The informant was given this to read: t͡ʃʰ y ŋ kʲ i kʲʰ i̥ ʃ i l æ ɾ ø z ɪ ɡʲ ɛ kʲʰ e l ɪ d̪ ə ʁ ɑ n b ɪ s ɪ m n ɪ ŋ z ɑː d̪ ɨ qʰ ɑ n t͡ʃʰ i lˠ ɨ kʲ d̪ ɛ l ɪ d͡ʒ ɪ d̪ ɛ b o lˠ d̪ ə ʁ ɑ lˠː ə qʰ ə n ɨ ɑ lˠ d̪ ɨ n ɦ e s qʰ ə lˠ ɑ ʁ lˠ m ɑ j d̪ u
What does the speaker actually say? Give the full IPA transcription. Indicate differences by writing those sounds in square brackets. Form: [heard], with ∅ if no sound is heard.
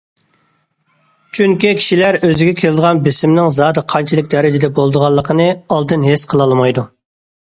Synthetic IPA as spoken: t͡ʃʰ y ŋ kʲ i kʲʰ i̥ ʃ i l æ ɾ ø z ɪ ɡʲ ɛ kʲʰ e l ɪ d̪ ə ʁ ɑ n b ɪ s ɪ m n ɪ ŋ z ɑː d̪ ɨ qʰ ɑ n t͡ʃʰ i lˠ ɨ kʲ d̪ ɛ [ɾ] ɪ d͡ʒ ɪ d̪ ɛ b o lˠ d̪ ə ʁ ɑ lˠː ə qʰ ə n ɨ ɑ lˠ d̪ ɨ n ɦ e s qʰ ə lˠ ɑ [∅] lˠ m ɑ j d̪ u